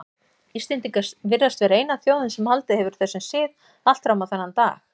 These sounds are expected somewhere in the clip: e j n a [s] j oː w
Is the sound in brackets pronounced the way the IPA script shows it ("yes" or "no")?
no